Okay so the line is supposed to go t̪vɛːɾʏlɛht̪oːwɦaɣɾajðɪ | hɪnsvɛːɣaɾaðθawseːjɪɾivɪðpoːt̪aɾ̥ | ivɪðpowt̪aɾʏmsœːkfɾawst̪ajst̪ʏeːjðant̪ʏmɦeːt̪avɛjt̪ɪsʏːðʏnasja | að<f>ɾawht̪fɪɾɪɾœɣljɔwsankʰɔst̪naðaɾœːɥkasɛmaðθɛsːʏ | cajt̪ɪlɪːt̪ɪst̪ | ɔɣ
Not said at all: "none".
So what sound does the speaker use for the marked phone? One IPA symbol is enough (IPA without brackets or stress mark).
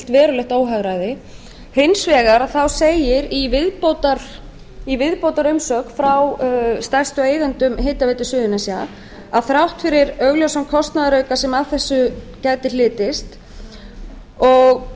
θ